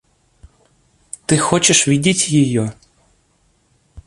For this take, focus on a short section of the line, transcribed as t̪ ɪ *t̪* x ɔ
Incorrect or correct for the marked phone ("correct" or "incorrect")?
incorrect